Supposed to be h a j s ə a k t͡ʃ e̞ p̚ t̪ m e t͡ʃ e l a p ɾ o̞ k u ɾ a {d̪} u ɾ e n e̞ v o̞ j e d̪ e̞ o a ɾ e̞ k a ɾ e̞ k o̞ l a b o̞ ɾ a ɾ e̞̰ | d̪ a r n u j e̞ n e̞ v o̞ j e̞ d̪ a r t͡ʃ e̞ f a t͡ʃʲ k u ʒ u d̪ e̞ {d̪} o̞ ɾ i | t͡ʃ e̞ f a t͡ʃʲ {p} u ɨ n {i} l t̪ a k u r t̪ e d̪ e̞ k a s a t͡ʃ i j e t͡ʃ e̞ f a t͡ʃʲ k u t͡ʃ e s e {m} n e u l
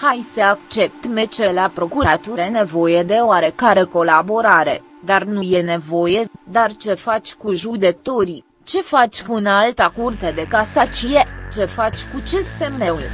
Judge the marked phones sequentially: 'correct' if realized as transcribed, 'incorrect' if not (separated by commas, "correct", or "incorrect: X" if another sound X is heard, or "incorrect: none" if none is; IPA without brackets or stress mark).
incorrect: t̪, incorrect: t̪, incorrect: k, incorrect: a, correct